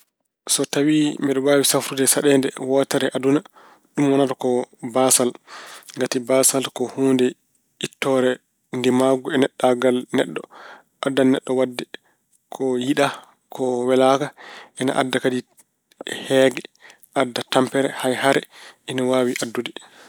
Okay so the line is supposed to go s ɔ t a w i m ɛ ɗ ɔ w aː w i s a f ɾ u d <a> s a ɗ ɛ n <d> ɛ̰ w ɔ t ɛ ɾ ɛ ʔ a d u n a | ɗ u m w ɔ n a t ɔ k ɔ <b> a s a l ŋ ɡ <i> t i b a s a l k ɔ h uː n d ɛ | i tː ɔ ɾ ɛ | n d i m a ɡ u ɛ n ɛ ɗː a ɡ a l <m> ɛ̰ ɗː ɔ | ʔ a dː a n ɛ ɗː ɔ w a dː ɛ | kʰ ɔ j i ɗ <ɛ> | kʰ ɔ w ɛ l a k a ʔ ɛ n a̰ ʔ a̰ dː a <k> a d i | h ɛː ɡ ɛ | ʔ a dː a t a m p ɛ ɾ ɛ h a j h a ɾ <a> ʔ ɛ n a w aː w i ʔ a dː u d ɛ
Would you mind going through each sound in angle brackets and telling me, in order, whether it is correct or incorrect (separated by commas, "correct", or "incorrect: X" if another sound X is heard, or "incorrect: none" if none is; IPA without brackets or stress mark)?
incorrect: ɛ, correct, correct, incorrect: a, incorrect: n, incorrect: a, correct, incorrect: ɛ